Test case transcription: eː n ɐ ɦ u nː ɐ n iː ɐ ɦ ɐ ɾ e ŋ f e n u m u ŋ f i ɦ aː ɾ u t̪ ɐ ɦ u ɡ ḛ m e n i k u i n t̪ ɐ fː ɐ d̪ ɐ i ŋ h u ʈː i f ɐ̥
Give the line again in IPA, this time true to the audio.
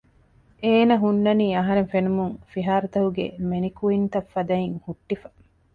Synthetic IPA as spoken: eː n ɐ ɦ u nː ɐ n iː ɐ ɦ ɐ ɾ e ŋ f e n u m u ŋ f i ɦ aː ɾ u t̪ ɐ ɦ u ɡ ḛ m e n i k u i n t̪ ɐ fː ɐ d̪ ɐ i ŋ h u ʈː i f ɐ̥